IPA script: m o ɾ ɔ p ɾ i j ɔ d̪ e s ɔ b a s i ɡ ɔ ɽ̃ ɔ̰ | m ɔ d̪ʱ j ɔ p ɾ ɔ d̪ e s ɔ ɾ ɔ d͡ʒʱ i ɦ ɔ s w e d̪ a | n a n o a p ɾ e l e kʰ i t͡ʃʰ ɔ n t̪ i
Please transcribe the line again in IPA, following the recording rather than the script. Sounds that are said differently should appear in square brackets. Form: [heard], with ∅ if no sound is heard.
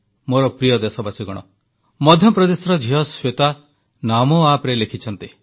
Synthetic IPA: m o ɾ ɔ p ɾ i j ɔ d̪ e s ɔ b a s i ɡ ɔ ɽ̃ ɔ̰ | m ɔ d̪ʱ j ɔ p ɾ ɔ d̪ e s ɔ ɾ ɔ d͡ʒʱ i ɦ ɔ s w e [t̪] a | n a [m] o a p ɾ e l e kʰ i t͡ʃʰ ɔ n t̪ i